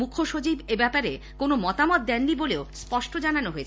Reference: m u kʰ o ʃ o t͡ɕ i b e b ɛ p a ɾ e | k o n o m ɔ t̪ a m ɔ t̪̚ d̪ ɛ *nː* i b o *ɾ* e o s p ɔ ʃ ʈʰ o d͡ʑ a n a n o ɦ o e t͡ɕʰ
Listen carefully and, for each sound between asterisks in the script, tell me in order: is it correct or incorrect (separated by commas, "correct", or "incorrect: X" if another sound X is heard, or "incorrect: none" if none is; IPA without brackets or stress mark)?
correct, incorrect: l